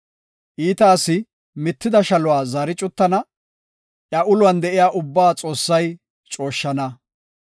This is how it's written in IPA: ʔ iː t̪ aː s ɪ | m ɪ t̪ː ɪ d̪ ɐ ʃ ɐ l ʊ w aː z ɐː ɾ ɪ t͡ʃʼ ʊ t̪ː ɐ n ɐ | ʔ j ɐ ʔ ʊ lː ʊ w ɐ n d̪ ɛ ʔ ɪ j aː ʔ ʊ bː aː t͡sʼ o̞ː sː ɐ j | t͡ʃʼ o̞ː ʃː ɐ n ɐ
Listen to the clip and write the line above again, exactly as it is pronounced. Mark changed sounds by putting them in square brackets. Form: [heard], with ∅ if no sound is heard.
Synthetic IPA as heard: ʔ iː t̪ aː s ɪ | m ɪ t̪ː ɪ d̪ ɐ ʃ ɐ l ʊ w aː z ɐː ɾ ɪ t͡ʃʼ ʊ t̪ː ɐ n ɐ | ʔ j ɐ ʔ ʊ [l] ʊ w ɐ n d̪ ɛ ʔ ɪ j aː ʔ ʊ bː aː t͡sʼ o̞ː sː ɐ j | t͡ʃʼ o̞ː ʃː ɐ n ɐ